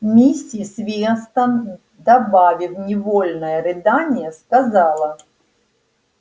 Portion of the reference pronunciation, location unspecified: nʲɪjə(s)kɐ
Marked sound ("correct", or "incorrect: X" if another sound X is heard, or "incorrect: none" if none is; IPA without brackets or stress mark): correct